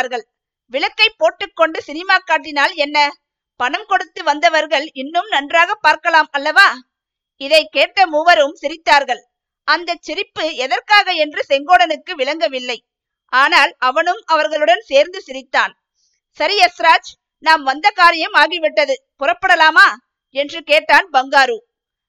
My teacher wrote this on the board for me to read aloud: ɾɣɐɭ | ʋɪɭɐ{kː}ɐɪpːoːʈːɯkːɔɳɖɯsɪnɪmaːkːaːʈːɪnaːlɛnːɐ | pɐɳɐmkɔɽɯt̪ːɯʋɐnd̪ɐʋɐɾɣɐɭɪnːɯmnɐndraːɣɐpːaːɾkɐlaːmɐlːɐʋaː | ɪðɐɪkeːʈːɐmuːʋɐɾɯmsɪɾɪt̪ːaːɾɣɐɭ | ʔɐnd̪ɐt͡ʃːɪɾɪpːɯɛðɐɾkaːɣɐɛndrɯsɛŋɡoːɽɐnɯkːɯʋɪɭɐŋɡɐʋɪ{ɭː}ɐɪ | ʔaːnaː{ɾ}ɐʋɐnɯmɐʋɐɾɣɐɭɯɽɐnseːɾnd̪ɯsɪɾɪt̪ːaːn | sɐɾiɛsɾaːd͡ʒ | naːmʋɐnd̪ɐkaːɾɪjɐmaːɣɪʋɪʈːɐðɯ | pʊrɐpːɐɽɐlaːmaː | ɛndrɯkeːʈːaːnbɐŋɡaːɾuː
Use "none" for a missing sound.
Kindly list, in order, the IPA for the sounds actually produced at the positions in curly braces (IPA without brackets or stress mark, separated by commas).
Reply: kː, lː, l